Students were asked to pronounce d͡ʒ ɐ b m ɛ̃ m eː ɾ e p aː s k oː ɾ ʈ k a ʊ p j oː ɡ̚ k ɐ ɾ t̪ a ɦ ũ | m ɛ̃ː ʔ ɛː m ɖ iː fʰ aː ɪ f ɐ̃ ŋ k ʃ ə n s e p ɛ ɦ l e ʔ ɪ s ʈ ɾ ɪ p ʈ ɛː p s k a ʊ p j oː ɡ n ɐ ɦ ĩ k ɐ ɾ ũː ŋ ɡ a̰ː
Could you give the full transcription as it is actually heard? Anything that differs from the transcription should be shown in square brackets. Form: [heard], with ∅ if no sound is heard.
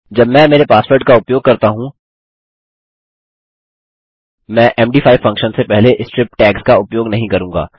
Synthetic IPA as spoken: d͡ʒ ɐ b m ɛ̃ m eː ɾ e p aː s [p] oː ɾ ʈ k a ʊ p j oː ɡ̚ k ɐ ɾ t̪ a ɦ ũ | m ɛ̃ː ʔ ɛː m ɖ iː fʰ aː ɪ f ɐ̃ ŋ k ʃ ə n s e p ɛ ɦ l e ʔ ɪ s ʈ ɾ ɪ p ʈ ɛː [k] s k a ʊ p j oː ɡ n ɐ ɦ ĩ k ɐ ɾ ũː ŋ ɡ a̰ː